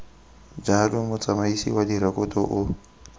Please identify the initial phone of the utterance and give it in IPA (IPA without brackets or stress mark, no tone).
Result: d͡ʒ